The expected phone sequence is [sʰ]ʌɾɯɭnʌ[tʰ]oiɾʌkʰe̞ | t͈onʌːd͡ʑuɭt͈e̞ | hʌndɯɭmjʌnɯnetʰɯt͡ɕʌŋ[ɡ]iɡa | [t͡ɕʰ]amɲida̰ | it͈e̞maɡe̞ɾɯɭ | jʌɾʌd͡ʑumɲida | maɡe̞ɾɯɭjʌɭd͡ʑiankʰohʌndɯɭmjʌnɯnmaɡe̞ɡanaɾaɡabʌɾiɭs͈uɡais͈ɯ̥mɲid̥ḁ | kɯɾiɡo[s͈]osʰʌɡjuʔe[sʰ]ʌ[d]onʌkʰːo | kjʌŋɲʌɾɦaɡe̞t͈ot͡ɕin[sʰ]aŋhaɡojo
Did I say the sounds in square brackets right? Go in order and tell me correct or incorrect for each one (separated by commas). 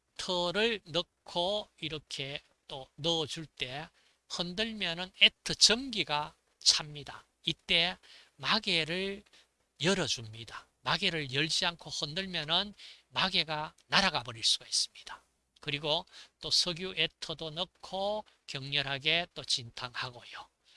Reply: incorrect, incorrect, correct, correct, incorrect, incorrect, correct, incorrect